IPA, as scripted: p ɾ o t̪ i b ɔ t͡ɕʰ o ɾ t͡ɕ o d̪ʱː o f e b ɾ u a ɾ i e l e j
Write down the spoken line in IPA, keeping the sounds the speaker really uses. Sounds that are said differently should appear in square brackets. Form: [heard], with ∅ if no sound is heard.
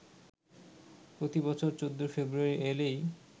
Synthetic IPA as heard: p ɾ o t̪ i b ɔ t͡ɕʰ o ɾ t͡ɕ o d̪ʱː o f e b ɾ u a ɾ i e l e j